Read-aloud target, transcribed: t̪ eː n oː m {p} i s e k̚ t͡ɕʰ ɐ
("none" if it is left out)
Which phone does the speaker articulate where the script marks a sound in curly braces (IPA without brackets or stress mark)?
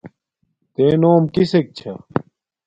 k